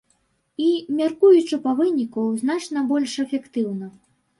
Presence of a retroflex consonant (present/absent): present